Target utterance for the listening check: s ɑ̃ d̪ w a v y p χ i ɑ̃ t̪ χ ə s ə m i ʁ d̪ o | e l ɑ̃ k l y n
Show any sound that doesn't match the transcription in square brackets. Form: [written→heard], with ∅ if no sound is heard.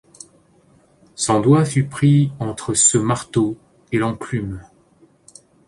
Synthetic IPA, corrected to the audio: s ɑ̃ d̪ w a [v→f] y p χ i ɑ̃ t̪ χ ə s ə m [i→a] ʁ [d̪→t̪] o | e l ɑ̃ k l y [n→m]